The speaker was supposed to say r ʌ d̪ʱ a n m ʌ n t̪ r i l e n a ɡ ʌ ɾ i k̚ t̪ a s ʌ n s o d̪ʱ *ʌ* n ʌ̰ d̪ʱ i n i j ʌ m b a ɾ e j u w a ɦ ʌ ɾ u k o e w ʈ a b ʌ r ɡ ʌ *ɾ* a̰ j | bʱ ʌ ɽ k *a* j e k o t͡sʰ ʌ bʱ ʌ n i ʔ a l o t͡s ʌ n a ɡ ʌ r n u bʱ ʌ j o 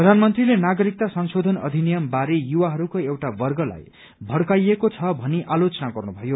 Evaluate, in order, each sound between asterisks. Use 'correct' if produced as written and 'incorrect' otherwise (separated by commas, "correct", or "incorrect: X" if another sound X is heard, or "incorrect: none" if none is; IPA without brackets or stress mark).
correct, incorrect: l, correct